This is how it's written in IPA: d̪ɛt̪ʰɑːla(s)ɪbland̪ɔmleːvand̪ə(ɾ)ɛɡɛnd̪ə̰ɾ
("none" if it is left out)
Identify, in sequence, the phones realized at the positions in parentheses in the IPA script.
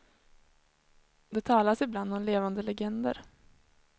s, l

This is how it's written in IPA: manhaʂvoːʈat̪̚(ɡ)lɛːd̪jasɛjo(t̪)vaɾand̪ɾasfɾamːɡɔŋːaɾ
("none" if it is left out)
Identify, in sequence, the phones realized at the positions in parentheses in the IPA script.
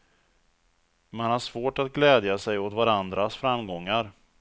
ɡ, t̪

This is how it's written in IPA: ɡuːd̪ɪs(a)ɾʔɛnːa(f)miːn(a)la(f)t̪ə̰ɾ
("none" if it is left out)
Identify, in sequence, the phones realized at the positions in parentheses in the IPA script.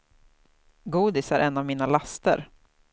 æ, v, a, s

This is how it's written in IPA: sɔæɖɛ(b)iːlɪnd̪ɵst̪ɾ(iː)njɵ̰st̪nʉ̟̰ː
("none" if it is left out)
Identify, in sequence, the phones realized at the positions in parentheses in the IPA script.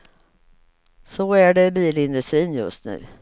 b, iː

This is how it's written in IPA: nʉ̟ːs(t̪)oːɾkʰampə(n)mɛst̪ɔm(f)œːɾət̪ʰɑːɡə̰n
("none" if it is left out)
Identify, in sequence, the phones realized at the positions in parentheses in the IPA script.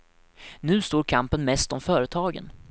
t̪, n, f

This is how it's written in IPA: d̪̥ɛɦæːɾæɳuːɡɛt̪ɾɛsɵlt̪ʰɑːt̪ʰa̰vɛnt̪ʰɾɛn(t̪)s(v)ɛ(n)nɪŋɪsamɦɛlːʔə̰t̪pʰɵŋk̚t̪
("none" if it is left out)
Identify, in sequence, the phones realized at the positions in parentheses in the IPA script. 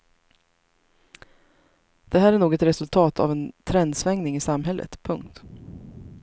d̪, v, ŋ

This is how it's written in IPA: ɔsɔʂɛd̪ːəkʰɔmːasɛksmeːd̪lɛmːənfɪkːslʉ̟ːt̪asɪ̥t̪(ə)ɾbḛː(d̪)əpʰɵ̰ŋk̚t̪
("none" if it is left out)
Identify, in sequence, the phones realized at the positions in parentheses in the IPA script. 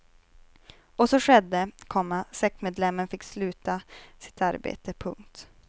a, t̪

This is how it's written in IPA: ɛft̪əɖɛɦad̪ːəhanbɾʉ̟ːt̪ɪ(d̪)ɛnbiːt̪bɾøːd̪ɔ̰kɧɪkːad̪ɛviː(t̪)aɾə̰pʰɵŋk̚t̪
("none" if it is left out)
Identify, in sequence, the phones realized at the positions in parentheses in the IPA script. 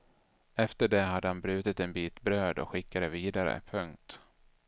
t̪, d̪

